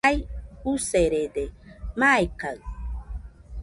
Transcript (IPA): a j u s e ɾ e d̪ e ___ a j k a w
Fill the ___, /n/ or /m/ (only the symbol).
m